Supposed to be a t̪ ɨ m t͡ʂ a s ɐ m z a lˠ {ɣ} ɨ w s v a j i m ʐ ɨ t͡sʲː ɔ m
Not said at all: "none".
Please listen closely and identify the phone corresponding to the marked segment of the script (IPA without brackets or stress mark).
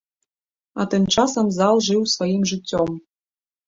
ʐ